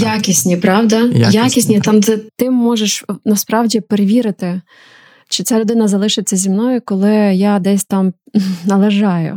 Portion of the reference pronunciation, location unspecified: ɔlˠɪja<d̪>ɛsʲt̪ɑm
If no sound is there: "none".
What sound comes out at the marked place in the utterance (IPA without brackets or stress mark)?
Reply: d̪